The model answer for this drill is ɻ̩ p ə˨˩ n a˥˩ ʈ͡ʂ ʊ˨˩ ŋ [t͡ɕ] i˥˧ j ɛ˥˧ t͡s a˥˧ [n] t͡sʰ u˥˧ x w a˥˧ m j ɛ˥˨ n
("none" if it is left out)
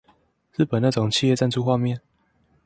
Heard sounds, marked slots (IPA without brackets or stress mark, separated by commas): t͡ɕʰ, n